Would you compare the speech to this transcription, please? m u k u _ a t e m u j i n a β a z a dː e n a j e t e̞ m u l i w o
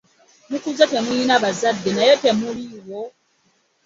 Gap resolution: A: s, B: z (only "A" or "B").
B